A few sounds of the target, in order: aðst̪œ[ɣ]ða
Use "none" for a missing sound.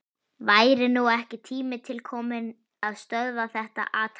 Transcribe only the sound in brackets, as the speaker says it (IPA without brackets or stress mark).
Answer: ð